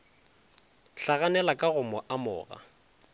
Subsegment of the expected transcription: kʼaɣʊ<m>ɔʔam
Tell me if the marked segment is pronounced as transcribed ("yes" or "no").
yes